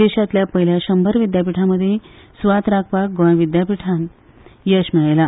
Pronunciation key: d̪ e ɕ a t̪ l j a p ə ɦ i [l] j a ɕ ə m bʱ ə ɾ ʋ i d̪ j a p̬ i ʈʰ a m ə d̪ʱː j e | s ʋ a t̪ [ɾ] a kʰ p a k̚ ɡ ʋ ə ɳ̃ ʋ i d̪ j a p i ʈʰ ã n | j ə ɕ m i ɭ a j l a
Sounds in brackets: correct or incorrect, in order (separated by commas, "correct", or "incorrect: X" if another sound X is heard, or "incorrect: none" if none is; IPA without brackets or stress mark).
correct, correct